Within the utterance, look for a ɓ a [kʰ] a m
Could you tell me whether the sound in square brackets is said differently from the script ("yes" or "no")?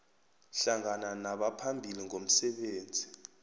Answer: yes